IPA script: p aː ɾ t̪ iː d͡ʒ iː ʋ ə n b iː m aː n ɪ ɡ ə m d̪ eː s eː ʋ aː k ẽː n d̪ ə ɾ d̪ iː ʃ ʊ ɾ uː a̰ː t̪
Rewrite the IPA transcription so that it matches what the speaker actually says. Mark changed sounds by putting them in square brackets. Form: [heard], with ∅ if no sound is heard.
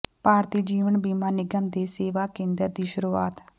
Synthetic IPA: p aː ɾ t̪ iː d͡ʒ iː ʋ ə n b iː m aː n ɪ ɡ ə m d̪ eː s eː ʋ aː k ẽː n d̪ ə ɾ d̪ iː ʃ ʊ ɾ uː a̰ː t̪